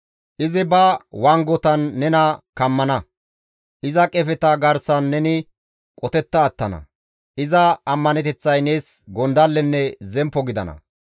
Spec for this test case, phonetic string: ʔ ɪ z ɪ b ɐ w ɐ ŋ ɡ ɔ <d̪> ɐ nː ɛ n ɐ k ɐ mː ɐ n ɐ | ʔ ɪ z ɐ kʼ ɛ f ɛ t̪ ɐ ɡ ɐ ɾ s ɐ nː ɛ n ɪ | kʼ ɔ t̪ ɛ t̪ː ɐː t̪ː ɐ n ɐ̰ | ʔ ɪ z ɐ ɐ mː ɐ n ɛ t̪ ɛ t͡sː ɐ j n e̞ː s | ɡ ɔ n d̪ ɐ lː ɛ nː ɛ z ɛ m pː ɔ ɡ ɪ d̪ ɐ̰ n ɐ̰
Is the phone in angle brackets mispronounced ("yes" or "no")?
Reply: yes